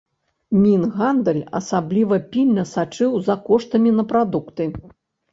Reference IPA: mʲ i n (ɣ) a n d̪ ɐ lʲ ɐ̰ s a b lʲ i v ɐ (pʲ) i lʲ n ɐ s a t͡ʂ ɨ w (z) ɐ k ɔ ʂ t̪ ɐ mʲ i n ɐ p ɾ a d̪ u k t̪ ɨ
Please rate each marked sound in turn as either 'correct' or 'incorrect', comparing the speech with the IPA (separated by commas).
correct, correct, correct